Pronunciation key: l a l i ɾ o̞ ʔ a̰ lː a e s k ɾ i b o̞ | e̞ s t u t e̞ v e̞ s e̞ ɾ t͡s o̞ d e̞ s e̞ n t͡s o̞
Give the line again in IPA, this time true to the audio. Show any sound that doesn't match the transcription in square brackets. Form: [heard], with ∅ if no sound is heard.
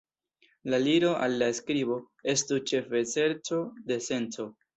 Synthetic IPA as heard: l a l i ɾ o̞ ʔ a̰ lː a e s k ɾ i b o̞ | e̞ s t u [t͡ʃ] e̞ [f] e̞ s e̞ ɾ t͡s o̞ d e̞ s e̞ n t͡s o̞